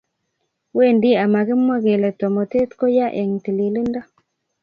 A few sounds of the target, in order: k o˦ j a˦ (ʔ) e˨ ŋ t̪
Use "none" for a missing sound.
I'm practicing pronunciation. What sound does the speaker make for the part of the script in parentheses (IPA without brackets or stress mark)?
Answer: ʔ